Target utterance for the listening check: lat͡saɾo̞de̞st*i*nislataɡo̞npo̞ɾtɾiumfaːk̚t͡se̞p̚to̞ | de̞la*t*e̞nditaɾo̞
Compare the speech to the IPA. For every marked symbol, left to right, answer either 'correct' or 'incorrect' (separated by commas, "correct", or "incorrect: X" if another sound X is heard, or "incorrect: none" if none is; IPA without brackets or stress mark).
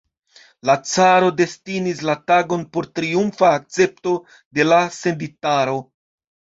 correct, incorrect: s